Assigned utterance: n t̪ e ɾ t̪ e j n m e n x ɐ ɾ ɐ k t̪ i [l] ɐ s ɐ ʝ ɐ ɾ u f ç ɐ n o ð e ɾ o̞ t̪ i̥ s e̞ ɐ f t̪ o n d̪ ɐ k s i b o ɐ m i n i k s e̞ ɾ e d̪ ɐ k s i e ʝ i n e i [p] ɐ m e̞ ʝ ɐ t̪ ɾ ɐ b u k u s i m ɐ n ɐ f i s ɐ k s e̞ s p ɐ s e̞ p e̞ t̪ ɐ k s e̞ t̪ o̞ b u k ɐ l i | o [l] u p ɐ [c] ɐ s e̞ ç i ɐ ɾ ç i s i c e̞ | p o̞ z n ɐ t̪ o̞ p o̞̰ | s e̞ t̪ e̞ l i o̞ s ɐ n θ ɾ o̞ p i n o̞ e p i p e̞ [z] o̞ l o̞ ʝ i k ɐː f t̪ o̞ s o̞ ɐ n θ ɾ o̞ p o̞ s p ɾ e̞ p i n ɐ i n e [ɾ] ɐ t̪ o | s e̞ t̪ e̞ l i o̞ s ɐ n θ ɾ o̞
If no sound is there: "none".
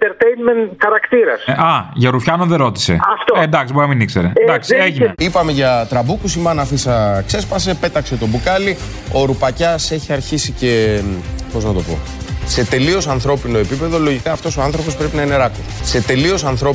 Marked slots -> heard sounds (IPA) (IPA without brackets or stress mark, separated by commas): ɾ, p, ɾ, c, ð, ɾ